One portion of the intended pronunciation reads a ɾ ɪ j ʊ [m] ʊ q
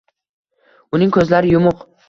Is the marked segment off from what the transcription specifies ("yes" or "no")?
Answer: no